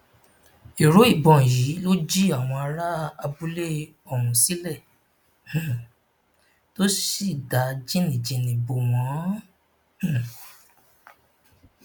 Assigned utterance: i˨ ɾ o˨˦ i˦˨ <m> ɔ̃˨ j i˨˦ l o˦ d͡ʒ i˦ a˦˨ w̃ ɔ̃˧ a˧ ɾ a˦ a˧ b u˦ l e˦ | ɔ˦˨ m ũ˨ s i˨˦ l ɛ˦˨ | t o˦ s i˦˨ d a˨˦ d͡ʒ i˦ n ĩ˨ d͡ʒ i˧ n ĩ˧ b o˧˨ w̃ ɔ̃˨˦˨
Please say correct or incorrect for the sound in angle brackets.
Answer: incorrect